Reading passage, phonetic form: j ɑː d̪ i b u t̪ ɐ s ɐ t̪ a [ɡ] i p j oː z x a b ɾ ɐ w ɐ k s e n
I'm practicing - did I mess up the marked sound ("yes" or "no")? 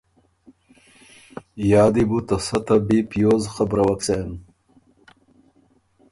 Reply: yes